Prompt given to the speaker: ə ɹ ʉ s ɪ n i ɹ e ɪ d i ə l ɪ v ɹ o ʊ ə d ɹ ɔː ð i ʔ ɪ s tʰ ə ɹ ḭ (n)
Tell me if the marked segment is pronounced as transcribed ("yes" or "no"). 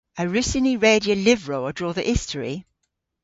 no